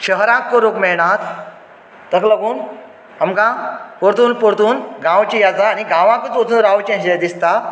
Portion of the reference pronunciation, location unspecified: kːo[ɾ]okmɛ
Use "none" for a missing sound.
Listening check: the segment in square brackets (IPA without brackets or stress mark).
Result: ɾ